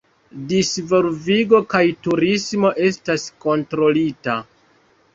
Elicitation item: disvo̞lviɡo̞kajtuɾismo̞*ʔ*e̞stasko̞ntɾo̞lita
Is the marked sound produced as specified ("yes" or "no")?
yes